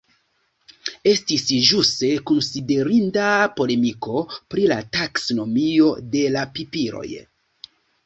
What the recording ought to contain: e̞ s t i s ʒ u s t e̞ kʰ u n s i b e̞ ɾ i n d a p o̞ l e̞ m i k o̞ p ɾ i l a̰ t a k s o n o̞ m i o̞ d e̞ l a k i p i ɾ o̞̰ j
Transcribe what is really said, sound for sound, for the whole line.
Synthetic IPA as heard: e̞ s t i s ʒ u s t e̞ k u n s i d e̞ ɾ i n d a p o̞ l e̞ m i k o̞ p ɾ i l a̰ t a k s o n o̞ m i o̞ d e̞ l a p i p i ɾ o̞̰ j